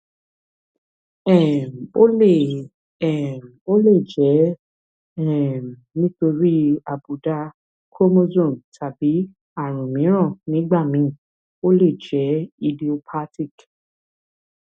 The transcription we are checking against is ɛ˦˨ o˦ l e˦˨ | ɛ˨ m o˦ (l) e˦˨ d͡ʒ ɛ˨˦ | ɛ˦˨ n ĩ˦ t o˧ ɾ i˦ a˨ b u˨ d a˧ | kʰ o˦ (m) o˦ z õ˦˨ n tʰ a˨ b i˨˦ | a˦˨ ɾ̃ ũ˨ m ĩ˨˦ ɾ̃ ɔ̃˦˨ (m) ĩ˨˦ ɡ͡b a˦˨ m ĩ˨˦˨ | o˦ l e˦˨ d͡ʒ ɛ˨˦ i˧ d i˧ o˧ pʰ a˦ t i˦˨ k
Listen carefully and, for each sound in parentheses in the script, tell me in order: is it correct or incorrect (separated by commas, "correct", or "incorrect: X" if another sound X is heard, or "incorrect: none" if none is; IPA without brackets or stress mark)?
correct, correct, incorrect: n